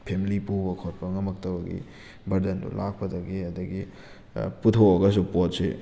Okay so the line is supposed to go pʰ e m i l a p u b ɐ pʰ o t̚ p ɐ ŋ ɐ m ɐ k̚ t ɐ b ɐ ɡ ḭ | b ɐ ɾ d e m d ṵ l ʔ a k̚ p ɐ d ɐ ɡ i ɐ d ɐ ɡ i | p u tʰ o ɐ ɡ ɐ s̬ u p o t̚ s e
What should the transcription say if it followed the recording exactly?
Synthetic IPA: pʰ e m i l i p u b ɐ kʰ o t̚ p ɐ ŋ ɐ m ɐ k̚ t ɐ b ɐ ɡ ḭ | b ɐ ɾ d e n d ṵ l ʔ a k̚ p ɐ d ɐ ɡ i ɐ d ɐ ɡ i | p u tʰ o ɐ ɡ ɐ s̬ u p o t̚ s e

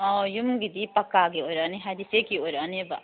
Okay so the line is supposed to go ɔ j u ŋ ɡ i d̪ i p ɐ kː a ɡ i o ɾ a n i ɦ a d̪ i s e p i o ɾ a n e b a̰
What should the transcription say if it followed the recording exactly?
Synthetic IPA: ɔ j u m ɡ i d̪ i p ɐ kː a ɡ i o ɾ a n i ɦ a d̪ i s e k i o ɾ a n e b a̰

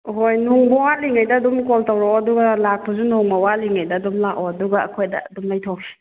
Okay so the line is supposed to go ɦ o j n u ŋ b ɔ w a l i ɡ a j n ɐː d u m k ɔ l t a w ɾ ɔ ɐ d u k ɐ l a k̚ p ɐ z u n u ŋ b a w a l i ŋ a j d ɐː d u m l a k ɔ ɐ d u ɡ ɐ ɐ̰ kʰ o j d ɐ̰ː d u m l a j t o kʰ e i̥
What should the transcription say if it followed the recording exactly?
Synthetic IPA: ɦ o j n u ŋ b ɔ w a l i ŋ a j d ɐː d u m k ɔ l t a w ɾ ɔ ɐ d u ɡ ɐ l a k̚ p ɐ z u n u ŋ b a w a l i ŋ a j d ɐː d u m l a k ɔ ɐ d u ɡ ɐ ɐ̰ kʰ o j d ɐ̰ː d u m l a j tʰ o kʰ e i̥

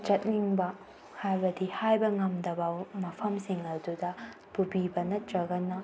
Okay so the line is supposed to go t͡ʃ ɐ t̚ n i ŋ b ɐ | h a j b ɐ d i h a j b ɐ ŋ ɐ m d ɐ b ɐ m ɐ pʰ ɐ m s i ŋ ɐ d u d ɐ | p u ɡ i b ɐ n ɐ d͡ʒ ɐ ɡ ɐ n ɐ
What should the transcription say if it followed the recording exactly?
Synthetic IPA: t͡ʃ ɐ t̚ n i ŋ b ɐ | h a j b ɐ d i h a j b ɐ ŋ ɐ m d ɐ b ɐ m ɐ pʰ ɐ m s i ŋ ɐ d u d ɐ | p u b i b ɐ n ɐ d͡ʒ ɐ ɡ ɐ n ɐ

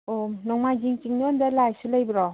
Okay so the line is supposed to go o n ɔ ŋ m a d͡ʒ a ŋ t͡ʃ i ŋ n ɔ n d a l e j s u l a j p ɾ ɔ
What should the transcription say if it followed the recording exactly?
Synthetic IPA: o n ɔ ŋ m a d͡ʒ i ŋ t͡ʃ i ŋ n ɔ n d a l a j s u l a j b ɾ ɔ

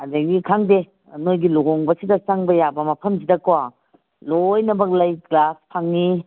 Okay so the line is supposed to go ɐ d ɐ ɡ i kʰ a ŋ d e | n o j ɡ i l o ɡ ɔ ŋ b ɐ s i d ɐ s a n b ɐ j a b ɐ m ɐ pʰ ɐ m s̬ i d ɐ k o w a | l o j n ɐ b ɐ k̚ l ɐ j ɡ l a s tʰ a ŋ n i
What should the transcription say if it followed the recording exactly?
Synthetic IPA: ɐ d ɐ ɡ i kʰ a ŋ d e | n o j ɡ i l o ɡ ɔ ŋ b ɐ s i d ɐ s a ŋ b ɐ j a b ɐ m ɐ pʰ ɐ m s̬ i d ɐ k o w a | l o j n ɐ b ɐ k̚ l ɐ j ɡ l a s pʰ a ŋ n i

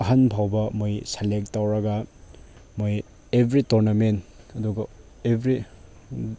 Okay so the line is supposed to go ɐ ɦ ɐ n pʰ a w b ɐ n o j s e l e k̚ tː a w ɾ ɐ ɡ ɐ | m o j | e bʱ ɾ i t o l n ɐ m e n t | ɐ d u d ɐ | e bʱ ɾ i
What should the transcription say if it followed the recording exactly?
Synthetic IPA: ɐ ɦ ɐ n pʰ a w b ɐ m o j s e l e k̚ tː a w ɾ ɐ ɡ ɐ | m o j | e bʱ ɾ i t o ɾ n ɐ m e n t | ɐ d u ɡ ɐ | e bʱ ɾ i

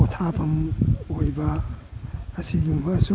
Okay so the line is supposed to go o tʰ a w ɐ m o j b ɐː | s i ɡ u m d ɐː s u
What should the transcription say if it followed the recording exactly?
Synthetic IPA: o tʰ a b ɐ m o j b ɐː | s i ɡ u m b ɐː s u

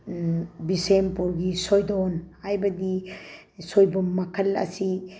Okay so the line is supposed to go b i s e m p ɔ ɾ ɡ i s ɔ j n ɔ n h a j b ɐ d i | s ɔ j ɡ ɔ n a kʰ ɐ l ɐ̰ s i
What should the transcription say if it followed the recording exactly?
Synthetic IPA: b i s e m p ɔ ɾ ɡ i s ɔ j d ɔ n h a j b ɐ d i | s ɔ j b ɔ m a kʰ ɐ l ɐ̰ s i

